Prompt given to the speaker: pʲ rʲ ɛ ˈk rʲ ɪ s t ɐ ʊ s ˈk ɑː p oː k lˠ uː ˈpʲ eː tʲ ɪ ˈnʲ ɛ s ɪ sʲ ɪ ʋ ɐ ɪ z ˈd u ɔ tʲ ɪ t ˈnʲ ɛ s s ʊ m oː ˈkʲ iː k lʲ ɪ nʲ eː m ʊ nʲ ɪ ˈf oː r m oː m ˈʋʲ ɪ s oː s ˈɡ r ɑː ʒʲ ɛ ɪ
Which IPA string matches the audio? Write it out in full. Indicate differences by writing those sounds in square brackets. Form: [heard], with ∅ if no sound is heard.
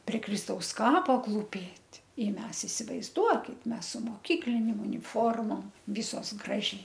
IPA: pʲ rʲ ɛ ˈk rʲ ɪ s t ɐ ʊ s ˈk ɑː p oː k lˠ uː ˈpʲ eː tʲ ɪ [ˈmʲ] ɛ s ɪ sʲ ɪ ʋ ɐ ɪ z ˈd u ɔ [kʲ] ɪ t [ˈmʲ] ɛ s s ʊ m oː ˈkʲ iː k lʲ ɪ nʲ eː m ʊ nʲ ɪ ˈf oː r m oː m ˈʋʲ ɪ s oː s ˈɡ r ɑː ʒʲ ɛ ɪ